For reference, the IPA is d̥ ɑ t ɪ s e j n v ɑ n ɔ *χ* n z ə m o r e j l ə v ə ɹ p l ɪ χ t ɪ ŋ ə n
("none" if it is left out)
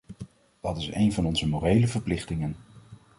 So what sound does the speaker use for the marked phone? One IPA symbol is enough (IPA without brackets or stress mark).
none